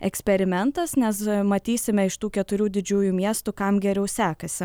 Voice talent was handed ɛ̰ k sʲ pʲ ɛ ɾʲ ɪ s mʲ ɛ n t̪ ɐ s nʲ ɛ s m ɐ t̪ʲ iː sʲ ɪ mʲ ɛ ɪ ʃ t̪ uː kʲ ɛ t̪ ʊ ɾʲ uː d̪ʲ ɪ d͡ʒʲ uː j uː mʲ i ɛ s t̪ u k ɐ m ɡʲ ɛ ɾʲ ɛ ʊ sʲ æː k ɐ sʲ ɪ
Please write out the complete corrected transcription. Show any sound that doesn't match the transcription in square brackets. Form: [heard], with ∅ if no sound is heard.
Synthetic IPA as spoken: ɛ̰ k sʲ pʲ ɛ ɾʲ ɪ [∅] mʲ ɛ n t̪ ɐ s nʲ ɛ s m ɐ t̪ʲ iː sʲ ɪ mʲ ɛ ɪ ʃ t̪ uː kʲ ɛ t̪ ʊ ɾʲ uː d̪ʲ ɪ d͡ʒʲ uː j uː mʲ i ɛ s t̪ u k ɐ m ɡʲ ɛ ɾʲ ɛ ʊ sʲ æː k ɐ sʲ ɪ